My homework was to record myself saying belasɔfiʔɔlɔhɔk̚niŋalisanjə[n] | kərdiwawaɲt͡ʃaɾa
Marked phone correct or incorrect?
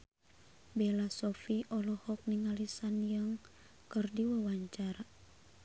incorrect